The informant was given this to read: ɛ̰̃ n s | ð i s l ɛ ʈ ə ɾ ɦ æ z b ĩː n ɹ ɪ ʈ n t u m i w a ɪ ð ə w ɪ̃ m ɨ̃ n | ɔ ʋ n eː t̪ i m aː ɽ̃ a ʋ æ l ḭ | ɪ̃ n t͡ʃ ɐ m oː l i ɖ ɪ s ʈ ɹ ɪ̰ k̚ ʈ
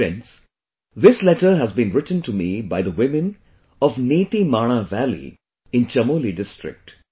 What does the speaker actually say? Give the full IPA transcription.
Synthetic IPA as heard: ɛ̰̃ n s | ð ɪ s l ɛ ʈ ə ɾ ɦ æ z b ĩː n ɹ ɪ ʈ n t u m i b a ɪ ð ə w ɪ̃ m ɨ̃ n | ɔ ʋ n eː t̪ i m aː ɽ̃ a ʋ æ l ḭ | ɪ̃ n t͡ʃ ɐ m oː l i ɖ ɪ s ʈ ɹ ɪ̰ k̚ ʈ